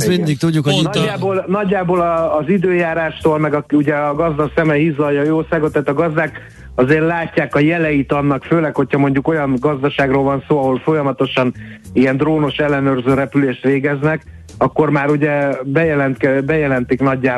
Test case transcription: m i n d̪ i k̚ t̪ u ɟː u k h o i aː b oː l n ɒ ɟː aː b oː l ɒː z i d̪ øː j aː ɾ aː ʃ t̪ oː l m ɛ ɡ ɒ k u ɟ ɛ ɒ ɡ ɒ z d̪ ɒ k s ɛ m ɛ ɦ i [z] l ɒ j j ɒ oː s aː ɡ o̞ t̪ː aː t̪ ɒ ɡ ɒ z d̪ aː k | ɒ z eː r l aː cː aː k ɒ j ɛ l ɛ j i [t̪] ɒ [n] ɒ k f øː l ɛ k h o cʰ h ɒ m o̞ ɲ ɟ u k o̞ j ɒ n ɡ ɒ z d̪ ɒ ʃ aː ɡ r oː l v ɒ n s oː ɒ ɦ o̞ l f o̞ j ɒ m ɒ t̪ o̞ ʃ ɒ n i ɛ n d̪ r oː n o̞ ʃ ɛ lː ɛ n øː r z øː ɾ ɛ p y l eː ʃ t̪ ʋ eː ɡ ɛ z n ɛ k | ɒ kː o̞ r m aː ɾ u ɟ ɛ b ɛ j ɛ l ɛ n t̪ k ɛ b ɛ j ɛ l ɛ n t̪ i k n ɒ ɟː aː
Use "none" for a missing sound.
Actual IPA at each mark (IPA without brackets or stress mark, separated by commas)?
z, t̪, nː